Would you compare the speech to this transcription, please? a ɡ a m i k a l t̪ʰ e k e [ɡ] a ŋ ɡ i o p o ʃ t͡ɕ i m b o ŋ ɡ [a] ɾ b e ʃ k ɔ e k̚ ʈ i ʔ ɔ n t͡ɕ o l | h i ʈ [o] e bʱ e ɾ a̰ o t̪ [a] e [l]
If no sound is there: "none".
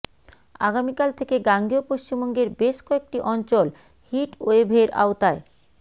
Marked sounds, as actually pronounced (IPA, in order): ɡ, e, o, a, none

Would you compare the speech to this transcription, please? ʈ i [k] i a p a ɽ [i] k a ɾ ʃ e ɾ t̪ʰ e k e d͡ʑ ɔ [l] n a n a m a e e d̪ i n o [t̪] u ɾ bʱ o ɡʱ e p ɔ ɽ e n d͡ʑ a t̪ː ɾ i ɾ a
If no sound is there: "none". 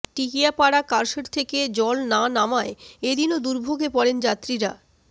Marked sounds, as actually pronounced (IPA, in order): k, a, l, d̪

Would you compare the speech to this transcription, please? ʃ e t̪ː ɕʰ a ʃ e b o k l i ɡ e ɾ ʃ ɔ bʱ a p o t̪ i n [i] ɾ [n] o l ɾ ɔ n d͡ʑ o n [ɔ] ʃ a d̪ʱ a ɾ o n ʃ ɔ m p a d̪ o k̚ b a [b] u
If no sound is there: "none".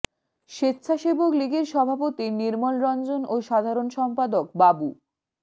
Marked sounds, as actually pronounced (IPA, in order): i, m, o, b

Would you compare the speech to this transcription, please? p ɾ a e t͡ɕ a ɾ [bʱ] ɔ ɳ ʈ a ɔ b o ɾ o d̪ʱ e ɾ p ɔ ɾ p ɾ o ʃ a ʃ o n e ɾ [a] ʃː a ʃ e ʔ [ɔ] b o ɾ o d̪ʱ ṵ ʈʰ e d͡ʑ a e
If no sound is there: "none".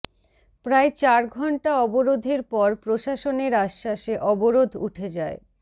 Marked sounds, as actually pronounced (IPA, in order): ɡʱ, a, ɔ

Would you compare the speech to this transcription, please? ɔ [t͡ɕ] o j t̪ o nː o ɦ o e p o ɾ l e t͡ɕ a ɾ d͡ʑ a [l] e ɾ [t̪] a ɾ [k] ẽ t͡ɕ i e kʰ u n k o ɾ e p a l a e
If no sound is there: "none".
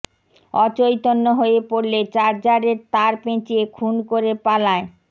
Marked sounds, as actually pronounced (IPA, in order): t͡ɕ, ɾ, t̪, p

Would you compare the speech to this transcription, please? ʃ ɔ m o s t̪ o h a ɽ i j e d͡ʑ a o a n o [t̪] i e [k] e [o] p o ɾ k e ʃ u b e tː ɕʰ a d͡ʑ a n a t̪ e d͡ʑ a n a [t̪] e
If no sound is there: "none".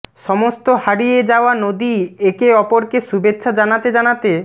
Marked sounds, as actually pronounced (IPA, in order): d̪, k, ɔ, t̪

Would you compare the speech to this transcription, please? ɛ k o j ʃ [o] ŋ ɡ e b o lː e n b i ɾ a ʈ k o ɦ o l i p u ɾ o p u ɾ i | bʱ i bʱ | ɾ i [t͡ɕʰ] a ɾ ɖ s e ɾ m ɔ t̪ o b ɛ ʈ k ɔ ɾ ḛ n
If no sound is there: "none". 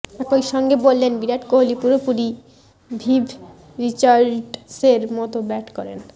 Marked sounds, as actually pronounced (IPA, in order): ɔ, t͡ɕ

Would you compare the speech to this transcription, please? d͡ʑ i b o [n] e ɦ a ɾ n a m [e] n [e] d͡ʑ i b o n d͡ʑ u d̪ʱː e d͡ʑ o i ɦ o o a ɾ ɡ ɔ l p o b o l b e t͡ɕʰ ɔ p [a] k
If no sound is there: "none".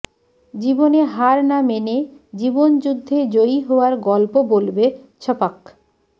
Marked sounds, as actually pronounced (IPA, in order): n, e, e, a

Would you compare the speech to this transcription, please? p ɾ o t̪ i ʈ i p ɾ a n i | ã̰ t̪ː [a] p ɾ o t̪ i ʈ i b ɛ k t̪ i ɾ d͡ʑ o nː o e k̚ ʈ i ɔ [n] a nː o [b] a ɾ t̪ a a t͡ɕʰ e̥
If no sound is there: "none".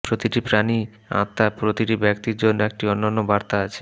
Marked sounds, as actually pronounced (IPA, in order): a, nː, b

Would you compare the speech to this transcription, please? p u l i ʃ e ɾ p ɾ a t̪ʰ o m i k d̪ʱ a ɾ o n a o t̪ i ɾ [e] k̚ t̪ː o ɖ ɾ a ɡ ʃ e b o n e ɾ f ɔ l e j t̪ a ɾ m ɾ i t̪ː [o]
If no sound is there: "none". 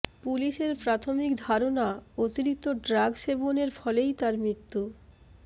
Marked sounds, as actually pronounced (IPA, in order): i, u

